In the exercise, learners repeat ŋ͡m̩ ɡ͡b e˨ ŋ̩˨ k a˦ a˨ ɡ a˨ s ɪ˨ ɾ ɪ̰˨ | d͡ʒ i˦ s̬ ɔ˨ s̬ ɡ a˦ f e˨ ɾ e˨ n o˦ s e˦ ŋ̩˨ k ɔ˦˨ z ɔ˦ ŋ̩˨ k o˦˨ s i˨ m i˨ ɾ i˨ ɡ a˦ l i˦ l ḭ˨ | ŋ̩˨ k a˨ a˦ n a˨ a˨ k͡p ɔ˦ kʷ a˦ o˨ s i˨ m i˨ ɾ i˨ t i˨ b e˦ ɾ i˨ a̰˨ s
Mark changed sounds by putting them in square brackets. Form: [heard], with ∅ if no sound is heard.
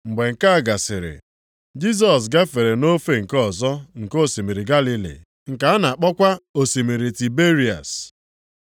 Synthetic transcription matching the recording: ŋ͡m̩ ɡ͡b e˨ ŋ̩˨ k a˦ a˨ ɡ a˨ s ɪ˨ ɾ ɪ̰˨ | d͡ʒ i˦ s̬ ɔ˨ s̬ ɡ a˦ f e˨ ɾ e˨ n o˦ [f] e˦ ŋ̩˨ k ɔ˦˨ z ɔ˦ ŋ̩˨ k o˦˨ s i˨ m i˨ ɾ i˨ ɡ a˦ l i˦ l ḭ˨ | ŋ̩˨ k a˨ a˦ n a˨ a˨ k͡p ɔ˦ kʷ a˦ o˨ s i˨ m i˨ ɾ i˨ t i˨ b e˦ ɾ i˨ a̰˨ s